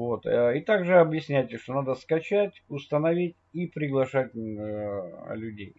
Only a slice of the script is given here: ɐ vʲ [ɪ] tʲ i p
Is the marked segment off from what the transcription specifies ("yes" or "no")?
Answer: yes